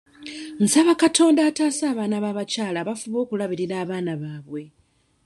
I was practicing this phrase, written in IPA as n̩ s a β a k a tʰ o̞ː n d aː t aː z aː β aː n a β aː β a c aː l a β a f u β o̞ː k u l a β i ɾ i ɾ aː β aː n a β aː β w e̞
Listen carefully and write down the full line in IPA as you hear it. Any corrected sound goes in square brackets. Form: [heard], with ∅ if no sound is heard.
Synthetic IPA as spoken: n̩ s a β a k a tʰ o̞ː n d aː t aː [s] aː β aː n a β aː β a c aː l a β a f u β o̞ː k u l a β i ɾ i ɾ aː β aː n a β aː β w e̞